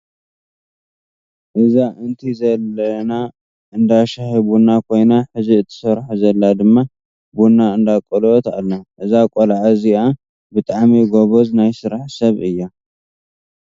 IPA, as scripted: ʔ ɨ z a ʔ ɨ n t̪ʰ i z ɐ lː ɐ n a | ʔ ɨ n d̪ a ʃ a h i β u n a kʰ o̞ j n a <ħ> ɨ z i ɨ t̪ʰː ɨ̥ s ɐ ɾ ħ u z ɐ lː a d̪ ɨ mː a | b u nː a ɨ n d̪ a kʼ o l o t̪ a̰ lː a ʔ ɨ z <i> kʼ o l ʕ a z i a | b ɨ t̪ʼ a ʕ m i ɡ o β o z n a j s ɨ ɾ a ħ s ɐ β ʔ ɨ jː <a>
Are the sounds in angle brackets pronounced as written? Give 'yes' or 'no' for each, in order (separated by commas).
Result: yes, no, yes